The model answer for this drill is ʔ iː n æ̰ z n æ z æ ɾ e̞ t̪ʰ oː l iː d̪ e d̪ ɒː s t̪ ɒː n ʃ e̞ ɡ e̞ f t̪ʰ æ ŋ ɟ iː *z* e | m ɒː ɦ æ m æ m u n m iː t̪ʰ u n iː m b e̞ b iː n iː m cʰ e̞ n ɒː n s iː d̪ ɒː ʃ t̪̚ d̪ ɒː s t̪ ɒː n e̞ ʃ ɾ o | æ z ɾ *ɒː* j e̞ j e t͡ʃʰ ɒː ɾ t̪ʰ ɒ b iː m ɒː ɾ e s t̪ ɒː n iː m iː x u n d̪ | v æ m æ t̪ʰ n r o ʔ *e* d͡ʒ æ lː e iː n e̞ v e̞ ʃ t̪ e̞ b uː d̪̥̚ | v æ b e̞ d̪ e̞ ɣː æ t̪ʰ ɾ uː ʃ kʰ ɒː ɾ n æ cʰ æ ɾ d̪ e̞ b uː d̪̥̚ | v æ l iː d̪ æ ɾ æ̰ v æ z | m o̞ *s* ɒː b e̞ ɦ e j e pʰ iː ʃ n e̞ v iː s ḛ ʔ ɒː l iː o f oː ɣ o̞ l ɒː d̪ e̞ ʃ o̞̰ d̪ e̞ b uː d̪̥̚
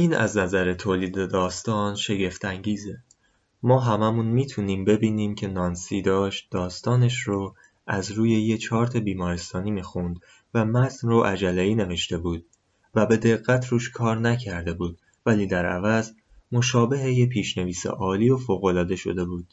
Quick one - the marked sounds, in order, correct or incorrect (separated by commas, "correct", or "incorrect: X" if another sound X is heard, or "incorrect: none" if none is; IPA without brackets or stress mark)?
correct, incorrect: uː, incorrect: æ, incorrect: ʃ